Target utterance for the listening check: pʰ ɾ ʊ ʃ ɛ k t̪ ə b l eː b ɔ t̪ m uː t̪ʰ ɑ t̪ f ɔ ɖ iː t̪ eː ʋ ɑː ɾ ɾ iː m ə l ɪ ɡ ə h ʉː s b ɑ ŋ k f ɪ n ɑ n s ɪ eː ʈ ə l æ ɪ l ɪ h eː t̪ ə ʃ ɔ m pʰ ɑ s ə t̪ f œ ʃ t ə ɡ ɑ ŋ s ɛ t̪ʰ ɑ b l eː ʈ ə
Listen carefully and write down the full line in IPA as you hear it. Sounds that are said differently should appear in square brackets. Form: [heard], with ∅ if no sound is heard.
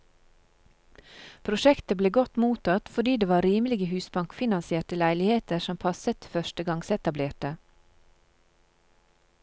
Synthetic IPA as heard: pʰ ɾ ʊ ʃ ɛ k t̪ ə b l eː [ɡ] ɔ t̪ m uː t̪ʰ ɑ t̪ f ɔ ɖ iː [d̪] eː ʋ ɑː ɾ ɾ iː m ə l ɪ ɡ ə h ʉː s b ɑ ŋ k f ɪ n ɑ n s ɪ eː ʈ ə l æ ɪ l ɪ h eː t̪ ə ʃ ɔ m pʰ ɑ s ə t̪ f œ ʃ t ə ɡ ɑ ŋ s ɛ [t̪] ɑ b l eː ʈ ə